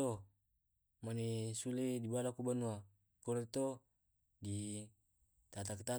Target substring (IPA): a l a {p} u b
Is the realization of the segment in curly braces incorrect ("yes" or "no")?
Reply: yes